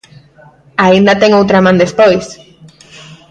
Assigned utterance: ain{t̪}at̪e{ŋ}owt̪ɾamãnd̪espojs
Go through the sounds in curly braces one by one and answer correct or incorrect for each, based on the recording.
incorrect: d̪, correct

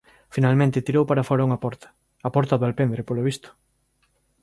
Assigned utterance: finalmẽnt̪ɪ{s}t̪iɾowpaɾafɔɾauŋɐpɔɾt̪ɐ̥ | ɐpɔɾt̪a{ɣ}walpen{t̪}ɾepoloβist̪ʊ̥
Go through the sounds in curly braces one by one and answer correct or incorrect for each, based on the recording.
incorrect: none, incorrect: ð, incorrect: d̪

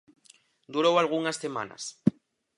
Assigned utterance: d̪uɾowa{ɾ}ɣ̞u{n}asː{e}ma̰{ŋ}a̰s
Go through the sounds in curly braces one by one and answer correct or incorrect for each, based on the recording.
incorrect: l, incorrect: ŋ, correct, incorrect: n

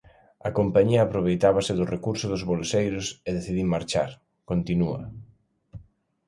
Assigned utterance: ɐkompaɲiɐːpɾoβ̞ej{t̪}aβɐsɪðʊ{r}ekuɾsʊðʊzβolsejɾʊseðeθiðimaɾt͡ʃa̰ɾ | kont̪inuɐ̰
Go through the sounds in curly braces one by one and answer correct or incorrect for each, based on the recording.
correct, correct

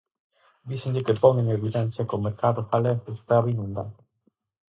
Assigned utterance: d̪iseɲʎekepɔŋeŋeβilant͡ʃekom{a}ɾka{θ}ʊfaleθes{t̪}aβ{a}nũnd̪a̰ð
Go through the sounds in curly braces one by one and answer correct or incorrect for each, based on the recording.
incorrect: e, incorrect: ð, correct, incorrect: i

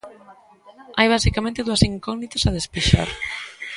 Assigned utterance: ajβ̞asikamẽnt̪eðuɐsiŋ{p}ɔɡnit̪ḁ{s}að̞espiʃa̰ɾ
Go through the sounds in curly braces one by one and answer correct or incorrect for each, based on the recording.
incorrect: k, correct

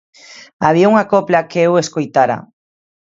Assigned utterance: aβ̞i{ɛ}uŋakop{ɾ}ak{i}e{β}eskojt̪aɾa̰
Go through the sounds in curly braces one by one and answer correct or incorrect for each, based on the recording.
incorrect: a, incorrect: l, incorrect: e, incorrect: w

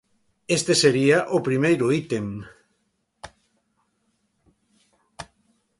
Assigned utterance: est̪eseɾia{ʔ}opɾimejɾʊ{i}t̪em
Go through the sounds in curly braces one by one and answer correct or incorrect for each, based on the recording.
correct, correct

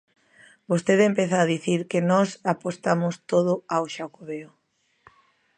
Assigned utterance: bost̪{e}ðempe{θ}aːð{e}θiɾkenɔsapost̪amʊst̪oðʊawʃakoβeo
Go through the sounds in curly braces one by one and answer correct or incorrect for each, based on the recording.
correct, correct, incorrect: i

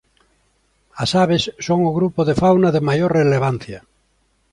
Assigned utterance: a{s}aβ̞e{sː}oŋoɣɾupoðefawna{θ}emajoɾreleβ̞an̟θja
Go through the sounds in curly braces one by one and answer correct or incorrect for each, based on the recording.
correct, correct, incorrect: ð

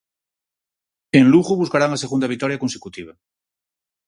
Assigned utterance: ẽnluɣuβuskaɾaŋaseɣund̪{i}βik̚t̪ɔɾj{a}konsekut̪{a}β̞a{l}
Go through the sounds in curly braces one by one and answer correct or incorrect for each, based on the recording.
incorrect: a, correct, incorrect: i, incorrect: none

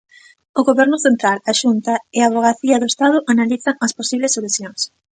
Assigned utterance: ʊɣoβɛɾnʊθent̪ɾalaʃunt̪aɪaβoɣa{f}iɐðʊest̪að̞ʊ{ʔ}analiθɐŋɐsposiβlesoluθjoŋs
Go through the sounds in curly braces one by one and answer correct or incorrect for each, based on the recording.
incorrect: θ, correct

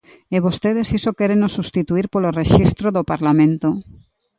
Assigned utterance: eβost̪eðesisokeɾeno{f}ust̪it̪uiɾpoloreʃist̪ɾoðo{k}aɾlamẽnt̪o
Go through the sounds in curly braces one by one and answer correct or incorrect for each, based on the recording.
incorrect: s, incorrect: p

